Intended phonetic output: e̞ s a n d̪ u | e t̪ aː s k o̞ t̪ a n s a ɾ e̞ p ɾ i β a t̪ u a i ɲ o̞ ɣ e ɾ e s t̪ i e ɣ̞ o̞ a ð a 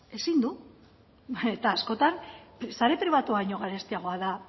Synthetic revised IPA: e̞ s i n d̪ u | e t̪ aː s k o̞ t̪ a n s a ɾ e̞ p ɾ i β a t̪ u a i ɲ o̞ ɣ a ɾ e s t̪ i a ɣ̞ o̞ a ð a